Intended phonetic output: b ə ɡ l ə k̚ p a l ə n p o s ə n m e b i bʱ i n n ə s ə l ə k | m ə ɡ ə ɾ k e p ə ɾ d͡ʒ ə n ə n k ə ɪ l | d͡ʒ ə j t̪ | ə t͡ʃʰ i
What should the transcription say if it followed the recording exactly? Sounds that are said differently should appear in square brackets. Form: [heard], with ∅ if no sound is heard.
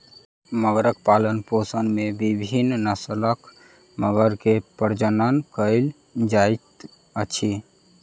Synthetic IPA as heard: [m] ə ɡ [ɾ] ə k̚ p a l ə n p o s ə n m e b i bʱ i n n ə s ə l ə k | m ə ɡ ə ɾ k e p ə ɾ d͡ʒ ə n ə n k ə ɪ l | d͡ʒ [a] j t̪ | ə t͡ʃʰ i